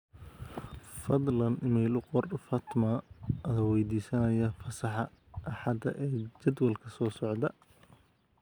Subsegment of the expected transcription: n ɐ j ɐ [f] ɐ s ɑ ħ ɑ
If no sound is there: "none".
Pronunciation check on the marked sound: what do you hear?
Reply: f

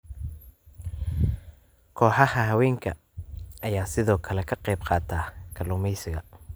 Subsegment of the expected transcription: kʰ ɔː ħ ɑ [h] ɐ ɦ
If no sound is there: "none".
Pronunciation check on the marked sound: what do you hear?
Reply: h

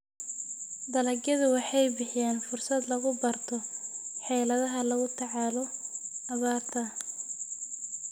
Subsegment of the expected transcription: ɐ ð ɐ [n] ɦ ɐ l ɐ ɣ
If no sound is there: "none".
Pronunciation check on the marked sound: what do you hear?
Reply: none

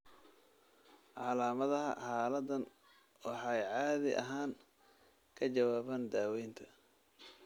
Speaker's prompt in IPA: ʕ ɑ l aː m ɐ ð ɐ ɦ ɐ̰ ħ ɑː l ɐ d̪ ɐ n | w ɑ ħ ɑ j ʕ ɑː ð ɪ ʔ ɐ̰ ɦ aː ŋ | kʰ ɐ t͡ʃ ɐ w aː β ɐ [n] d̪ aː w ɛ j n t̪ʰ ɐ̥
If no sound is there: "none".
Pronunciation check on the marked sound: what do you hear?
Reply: n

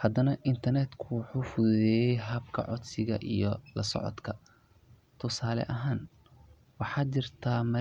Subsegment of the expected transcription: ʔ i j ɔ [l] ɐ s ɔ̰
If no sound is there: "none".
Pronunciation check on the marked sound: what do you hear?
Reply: l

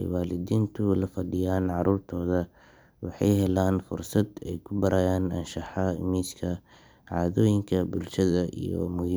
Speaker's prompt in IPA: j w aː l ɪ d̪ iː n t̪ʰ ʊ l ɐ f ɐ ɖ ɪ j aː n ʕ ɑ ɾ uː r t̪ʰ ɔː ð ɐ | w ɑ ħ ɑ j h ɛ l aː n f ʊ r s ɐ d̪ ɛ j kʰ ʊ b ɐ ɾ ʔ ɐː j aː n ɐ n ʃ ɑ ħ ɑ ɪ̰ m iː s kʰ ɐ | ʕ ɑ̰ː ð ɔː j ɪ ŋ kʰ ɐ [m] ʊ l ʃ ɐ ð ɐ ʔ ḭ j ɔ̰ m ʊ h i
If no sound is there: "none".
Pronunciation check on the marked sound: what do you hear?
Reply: b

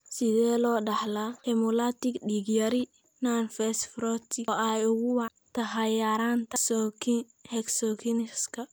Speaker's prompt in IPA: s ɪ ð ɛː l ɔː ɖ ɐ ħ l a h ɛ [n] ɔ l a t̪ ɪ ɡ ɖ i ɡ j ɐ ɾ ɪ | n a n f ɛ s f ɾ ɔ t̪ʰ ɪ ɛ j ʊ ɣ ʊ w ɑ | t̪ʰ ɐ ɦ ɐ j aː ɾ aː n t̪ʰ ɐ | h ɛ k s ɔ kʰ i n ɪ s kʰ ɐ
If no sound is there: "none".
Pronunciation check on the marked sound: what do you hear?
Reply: m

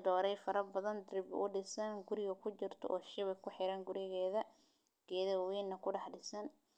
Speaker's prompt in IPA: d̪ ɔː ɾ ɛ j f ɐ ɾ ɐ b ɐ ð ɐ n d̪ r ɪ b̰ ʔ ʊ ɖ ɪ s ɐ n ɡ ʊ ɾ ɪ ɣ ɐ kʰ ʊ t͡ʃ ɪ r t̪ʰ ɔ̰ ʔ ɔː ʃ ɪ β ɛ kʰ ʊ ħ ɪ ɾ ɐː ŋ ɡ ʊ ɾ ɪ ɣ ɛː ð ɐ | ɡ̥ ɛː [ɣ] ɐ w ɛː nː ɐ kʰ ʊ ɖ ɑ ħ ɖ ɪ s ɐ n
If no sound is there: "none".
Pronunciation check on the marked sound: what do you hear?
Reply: ð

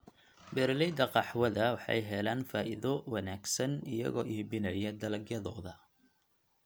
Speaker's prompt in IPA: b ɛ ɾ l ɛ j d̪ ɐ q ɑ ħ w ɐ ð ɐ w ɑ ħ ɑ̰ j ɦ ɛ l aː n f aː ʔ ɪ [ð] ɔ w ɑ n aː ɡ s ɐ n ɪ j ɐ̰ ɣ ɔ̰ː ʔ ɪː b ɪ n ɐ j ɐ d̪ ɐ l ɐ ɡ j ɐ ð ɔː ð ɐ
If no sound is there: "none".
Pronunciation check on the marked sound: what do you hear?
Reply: ð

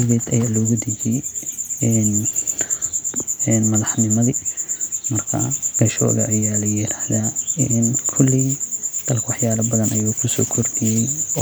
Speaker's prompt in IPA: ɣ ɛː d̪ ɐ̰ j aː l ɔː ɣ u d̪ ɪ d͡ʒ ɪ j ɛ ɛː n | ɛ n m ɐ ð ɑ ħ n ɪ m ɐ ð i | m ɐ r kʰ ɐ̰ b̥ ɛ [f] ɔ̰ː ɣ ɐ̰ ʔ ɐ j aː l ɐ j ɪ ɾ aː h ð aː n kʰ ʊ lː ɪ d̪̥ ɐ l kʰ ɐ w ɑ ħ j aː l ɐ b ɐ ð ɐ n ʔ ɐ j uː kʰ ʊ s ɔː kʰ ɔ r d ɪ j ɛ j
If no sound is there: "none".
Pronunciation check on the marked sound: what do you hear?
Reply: ʃ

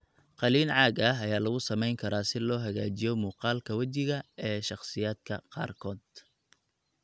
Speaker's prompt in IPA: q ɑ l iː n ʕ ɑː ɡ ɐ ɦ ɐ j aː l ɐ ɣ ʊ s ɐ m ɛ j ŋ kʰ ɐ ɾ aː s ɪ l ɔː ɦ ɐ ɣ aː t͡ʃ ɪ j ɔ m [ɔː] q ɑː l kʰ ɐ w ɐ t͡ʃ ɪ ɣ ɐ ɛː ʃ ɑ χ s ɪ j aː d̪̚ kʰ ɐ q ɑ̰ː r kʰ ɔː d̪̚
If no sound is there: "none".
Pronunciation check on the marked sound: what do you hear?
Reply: uː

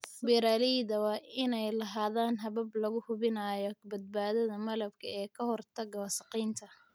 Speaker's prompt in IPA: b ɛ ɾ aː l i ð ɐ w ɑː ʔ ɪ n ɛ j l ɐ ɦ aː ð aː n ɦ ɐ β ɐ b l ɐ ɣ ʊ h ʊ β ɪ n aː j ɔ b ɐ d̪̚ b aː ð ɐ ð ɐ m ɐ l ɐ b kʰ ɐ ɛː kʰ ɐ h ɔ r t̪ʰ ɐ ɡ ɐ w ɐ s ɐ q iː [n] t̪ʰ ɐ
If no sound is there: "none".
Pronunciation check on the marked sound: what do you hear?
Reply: n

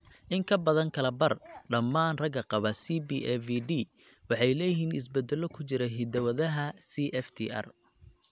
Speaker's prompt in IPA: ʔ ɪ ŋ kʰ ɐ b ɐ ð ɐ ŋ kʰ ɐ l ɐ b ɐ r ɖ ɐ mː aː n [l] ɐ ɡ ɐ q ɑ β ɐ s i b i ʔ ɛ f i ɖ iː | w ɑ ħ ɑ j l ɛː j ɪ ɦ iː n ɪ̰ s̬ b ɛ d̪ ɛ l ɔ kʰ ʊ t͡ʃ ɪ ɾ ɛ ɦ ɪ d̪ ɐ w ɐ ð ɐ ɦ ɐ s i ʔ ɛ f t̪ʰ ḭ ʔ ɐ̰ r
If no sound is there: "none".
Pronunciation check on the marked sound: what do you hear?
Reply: r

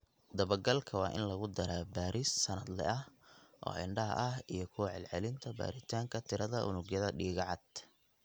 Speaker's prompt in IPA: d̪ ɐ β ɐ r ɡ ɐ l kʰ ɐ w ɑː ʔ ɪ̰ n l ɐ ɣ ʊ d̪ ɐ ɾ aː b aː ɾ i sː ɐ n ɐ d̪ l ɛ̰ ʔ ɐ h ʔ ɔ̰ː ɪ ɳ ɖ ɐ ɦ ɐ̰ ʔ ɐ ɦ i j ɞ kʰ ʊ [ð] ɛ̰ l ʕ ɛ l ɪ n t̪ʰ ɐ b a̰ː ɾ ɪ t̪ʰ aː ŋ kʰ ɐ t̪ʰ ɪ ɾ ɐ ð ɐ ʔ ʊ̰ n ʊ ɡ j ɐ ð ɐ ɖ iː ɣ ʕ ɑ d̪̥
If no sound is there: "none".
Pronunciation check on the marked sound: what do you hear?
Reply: ʕ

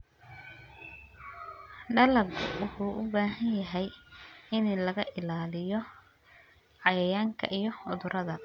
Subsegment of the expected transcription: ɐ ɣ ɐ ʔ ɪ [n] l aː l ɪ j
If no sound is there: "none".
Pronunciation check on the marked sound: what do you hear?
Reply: none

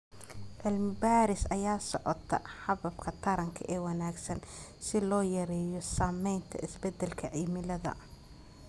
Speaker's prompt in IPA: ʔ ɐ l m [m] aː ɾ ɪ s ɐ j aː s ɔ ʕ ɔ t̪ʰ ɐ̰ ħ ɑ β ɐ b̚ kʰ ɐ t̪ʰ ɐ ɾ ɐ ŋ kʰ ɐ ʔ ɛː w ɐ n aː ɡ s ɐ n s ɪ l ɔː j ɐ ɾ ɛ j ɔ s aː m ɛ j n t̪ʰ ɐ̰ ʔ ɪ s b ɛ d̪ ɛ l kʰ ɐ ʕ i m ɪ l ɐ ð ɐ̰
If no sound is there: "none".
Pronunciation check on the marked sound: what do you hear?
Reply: b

